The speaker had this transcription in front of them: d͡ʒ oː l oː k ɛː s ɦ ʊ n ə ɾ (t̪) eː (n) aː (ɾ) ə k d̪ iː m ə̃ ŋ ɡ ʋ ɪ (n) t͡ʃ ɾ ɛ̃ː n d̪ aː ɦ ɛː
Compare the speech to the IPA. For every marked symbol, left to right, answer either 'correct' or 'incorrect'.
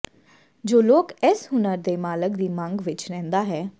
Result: incorrect, incorrect, incorrect, incorrect

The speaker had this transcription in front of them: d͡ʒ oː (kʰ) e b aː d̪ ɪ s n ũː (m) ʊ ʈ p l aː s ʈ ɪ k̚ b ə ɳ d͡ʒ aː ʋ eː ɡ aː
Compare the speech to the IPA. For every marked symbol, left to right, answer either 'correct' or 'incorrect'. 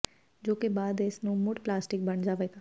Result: incorrect, correct

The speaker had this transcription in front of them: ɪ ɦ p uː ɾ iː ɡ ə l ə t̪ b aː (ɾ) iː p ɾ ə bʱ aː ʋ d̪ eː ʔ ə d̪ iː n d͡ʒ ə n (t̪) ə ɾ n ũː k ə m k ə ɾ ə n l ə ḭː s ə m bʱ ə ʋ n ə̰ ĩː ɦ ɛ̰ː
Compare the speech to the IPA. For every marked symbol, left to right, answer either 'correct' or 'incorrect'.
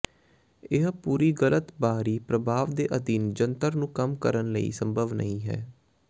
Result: correct, correct

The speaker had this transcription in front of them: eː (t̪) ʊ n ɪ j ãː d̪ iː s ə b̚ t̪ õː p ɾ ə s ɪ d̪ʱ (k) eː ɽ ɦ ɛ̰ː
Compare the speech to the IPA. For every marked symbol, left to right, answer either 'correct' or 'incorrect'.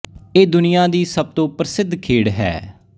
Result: incorrect, incorrect

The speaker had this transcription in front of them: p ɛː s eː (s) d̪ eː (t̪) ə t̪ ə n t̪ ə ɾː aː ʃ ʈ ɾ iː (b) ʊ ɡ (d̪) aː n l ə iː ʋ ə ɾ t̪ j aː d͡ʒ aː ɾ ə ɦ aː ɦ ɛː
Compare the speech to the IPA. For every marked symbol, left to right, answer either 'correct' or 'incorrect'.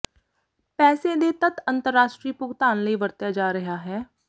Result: incorrect, correct, incorrect, incorrect

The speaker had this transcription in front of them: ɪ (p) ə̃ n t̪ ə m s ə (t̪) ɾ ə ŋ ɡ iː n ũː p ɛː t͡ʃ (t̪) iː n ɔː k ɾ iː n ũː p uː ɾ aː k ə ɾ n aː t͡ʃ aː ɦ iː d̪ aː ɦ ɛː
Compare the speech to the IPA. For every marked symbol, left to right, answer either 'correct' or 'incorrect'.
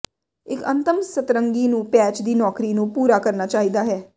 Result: incorrect, correct, incorrect

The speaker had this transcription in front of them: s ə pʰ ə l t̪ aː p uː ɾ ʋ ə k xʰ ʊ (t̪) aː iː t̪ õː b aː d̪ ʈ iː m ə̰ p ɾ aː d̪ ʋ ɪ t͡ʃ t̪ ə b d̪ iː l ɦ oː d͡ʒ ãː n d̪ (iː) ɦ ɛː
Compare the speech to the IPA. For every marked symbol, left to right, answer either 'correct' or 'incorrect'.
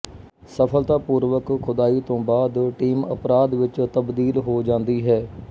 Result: incorrect, correct

